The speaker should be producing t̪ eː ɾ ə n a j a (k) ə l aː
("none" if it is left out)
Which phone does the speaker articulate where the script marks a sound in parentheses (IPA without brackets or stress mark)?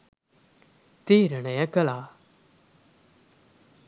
k